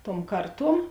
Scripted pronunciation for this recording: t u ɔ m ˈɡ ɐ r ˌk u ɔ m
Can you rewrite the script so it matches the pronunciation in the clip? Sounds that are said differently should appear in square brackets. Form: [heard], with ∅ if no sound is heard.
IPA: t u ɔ m [ˈk] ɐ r [ˌt] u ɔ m

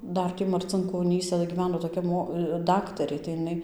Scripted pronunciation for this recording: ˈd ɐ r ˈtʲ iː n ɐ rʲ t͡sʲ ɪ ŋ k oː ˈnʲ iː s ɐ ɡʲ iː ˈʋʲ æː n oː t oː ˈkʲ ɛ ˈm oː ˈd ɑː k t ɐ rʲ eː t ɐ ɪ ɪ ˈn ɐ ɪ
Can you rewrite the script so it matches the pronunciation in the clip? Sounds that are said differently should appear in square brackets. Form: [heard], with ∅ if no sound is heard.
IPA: ˈd ɐ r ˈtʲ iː [m] ɐ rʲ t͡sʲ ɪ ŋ k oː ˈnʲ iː s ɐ ɡʲ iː ˈʋʲ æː n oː t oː ˈkʲ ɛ ˈm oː ˈd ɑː k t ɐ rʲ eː t ɐ ɪ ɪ ˈn ɐ ɪ

